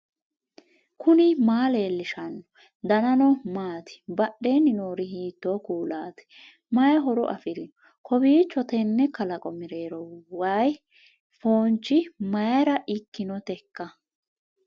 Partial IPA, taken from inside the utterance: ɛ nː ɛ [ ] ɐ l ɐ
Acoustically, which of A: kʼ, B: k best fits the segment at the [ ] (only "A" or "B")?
B